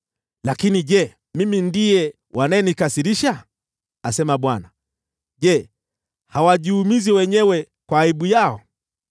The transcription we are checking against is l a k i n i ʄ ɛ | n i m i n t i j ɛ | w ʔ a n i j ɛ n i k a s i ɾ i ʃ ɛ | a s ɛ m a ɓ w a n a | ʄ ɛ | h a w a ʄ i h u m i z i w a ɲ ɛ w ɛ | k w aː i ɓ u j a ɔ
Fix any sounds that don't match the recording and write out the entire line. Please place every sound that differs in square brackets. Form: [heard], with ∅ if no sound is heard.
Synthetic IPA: l a k i n i ʄ ɛ | [m] i m i n [d] i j ɛ | w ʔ a n [a] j ɛ n i k a s i ɾ i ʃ [a] | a s ɛ m a ɓ w a n a | ʄ ɛ | h a w a ʄ i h u m i z i w [ɛ] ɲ ɛ w ɛ | k w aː i ɓ u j a ɔ